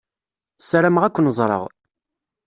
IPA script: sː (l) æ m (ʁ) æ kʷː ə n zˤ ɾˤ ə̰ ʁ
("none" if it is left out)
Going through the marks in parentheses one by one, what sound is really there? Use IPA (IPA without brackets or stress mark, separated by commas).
ɾ, ʁ